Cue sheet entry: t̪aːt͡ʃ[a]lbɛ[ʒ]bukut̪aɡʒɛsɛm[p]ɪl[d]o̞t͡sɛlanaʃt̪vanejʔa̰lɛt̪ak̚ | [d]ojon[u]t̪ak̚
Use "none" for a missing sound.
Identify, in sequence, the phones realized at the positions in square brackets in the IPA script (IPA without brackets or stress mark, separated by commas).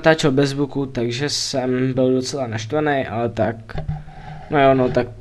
ɛ, z, b, d, n, o